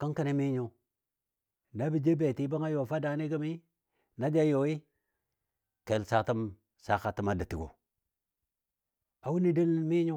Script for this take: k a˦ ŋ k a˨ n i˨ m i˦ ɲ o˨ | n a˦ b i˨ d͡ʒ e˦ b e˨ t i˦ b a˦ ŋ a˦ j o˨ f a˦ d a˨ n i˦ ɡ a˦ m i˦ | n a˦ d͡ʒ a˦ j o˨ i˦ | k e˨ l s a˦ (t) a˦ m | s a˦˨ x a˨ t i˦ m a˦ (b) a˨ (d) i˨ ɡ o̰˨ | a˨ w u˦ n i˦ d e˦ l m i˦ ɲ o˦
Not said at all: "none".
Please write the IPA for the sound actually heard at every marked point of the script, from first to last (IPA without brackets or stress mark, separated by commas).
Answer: t, d, t